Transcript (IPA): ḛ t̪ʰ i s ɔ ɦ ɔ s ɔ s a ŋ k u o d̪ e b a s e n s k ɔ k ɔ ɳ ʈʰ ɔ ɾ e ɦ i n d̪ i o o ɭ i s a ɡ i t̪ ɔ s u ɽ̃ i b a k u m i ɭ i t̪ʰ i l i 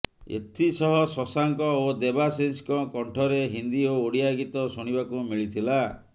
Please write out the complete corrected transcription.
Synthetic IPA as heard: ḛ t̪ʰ i s ɔ ɦ ɔ s ɔ s a ŋ k ɔ o d̪ e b a s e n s k ɔ k ɔ ɳ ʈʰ ɔ ɾ e ɦ i n d̪ i o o ɽ i a ɡ i t̪ ɔ s u ɽ̃ i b a k u m i ɭ i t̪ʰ i l a